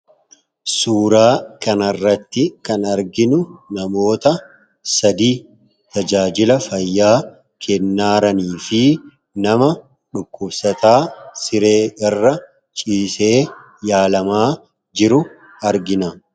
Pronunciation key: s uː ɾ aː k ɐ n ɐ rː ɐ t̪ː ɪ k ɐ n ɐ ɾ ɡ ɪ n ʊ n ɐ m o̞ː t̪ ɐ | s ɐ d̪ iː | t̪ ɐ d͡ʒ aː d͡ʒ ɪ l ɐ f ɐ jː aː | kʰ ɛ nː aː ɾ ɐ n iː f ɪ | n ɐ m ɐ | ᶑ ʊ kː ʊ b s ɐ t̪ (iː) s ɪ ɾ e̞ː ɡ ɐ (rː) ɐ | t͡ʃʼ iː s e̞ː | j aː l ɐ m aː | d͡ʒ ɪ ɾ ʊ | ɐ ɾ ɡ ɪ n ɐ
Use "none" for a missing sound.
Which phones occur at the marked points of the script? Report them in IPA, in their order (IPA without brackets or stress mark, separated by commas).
aː, rː